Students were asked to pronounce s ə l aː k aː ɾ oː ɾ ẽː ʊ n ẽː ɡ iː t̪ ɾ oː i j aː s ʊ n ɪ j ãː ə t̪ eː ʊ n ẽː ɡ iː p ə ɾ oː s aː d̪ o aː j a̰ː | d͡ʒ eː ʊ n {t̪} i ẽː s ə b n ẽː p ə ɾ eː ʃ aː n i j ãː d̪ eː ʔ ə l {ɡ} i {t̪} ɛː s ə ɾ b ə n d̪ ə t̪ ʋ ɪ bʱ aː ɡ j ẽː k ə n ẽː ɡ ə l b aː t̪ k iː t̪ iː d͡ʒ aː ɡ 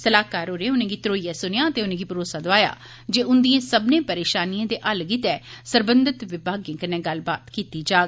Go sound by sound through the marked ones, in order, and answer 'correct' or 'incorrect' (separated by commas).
incorrect, correct, correct